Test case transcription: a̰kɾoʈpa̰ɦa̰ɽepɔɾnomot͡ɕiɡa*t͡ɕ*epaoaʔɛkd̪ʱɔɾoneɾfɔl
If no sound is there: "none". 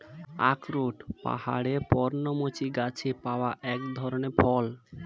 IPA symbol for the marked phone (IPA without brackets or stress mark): t͡ɕʰ